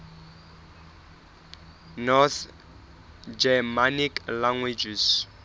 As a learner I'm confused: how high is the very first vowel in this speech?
mid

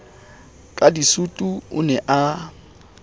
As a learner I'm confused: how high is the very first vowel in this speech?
low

